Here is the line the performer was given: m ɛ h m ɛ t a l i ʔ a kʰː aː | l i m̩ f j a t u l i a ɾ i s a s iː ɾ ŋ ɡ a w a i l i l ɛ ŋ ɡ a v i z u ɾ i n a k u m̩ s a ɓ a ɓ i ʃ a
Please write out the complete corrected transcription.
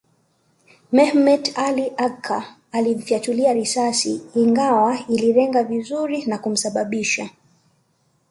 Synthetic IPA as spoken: m ɛ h m ɛ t a l i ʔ a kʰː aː | l i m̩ f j a t u l i a ɾ i s a s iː ŋ ɡ a w a i l i ɾ ɛ ŋ ɡ a v i z u ɾ i n a k u m̩ s a ɓ a ɓ i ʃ a